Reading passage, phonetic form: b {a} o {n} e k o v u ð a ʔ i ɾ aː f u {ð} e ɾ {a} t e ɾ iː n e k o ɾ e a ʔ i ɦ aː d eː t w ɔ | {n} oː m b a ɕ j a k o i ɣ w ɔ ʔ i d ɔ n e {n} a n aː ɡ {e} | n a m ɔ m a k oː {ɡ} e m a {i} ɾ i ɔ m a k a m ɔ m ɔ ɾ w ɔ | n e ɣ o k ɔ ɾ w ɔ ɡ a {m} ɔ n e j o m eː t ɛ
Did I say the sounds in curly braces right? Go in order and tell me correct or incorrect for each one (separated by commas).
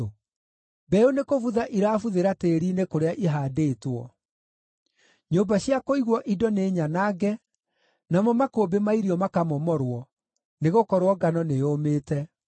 incorrect, correct, correct, correct, incorrect, incorrect, incorrect, incorrect, correct, incorrect